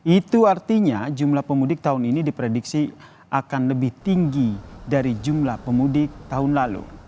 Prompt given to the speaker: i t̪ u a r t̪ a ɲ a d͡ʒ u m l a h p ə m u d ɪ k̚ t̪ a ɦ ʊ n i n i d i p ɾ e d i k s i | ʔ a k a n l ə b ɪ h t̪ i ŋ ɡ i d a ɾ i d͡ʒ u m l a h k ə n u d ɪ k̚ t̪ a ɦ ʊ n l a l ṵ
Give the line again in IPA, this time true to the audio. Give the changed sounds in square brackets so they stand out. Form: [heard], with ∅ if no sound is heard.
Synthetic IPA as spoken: i t̪ u a r t̪ [i] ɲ a d͡ʒ u m l a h p ə m u d ɪ k̚ t̪ a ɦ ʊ n i n i d i p ɾ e d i k s i | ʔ a k a n l ə b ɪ h t̪ i ŋ ɡ i d a ɾ i d͡ʒ u m l a h [p] ə [m] u d ɪ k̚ t̪ a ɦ ʊ n l a l ṵ